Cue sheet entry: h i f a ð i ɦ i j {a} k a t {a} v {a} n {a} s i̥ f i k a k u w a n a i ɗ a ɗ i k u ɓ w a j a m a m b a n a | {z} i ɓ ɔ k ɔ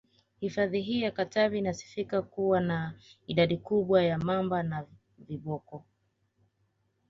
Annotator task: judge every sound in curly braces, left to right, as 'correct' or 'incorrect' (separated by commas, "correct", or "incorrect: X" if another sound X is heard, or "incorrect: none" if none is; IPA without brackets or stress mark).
correct, correct, incorrect: i, correct, incorrect: v